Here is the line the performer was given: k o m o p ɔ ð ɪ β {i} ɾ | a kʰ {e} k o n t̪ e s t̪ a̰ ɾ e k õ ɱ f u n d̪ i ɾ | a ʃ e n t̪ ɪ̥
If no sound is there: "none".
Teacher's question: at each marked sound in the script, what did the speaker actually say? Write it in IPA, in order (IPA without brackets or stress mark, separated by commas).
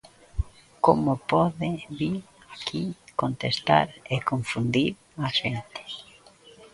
i, i